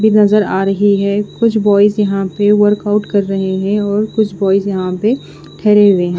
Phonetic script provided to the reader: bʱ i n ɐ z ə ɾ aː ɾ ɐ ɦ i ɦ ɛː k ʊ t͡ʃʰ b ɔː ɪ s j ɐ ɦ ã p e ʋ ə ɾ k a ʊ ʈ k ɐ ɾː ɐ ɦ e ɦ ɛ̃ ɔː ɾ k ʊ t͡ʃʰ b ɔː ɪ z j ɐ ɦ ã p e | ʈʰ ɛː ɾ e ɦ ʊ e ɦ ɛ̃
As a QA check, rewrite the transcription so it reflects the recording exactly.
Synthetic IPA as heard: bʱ i n ɐ z ə ɾ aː ɾ ɐ ɦ i ɦ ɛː k ʊ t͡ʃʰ b ɔː ɪ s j ɐ ɦ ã p e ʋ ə ɾ k a ʊ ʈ k ɐ ɾː ɐ ɦ e ɦ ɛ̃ ɔː ɾ k ʊ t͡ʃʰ b ɔː ɪ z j ɐ ɦ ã p e | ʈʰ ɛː ɾ e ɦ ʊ e ɦ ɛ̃